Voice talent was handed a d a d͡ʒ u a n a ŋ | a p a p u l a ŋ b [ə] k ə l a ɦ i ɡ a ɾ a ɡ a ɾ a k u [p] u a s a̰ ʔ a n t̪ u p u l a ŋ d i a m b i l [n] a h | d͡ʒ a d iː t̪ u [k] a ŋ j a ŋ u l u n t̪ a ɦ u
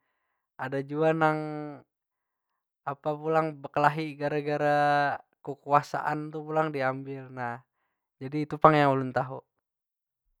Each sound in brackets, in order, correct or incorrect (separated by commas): correct, incorrect, correct, incorrect